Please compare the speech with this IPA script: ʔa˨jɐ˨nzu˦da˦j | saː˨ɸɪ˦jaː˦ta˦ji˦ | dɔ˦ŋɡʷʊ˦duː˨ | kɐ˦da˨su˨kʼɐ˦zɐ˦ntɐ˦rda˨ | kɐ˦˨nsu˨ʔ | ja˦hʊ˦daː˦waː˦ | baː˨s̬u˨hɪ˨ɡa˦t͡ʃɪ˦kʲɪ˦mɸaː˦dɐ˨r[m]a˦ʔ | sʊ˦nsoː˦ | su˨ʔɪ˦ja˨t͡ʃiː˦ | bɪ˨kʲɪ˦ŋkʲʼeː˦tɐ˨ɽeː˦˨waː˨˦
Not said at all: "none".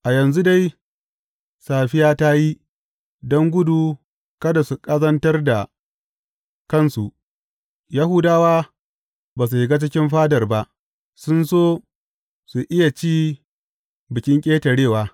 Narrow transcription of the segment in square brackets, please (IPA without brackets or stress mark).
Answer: b